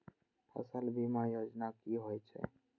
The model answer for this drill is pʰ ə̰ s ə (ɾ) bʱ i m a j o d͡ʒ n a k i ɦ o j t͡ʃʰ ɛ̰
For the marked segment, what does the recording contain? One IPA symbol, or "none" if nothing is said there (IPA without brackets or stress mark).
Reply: l